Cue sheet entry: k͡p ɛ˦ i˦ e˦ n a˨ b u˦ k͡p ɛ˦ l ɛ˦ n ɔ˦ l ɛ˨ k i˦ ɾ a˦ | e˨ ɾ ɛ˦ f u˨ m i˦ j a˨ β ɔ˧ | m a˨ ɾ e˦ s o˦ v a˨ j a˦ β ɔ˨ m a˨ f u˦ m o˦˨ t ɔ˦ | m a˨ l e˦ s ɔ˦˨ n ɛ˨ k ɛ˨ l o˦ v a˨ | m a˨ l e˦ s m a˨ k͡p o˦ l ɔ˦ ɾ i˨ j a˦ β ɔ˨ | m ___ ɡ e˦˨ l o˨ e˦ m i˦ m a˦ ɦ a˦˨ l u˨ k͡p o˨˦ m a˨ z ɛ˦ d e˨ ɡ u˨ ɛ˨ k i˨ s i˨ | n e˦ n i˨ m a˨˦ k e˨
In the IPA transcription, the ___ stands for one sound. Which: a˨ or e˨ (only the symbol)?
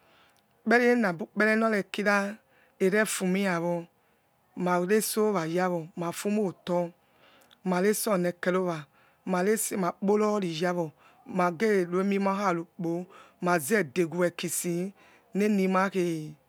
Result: a˨